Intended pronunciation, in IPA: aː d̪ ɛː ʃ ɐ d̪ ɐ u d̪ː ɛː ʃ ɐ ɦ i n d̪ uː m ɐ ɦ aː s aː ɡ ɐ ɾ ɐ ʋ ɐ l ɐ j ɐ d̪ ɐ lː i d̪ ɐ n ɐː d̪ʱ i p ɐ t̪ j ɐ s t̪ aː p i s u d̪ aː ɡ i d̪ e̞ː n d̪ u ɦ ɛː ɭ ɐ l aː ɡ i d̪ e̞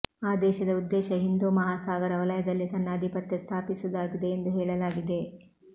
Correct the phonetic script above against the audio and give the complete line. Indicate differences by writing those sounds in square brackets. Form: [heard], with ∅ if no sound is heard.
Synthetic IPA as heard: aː d̪ ɛː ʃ ɐ d̪ ɐ u d̪ː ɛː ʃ ɐ ɦ i n d̪ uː m ɐ ɦ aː s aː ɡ ɐ ɾ ɐ ʋ ɐ l ɐ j ɐ d̪ ɐ lː i [t̪] ɐ [nː] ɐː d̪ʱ i p ɐ t̪ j ɐ s [t̪ʰ] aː p i s u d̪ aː ɡ i d̪ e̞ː n d̪ u ɦ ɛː ɭ ɐ l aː ɡ i d̪ e̞